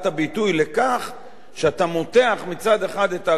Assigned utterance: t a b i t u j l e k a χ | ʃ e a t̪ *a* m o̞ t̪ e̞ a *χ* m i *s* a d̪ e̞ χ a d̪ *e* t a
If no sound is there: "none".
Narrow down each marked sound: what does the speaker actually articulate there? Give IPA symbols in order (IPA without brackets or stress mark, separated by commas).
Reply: a, χ, t͡s, e